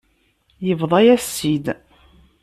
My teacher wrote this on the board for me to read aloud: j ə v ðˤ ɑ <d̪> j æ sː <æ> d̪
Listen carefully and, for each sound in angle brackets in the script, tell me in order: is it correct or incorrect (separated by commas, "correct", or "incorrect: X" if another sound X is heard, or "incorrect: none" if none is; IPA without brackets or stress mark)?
incorrect: none, incorrect: i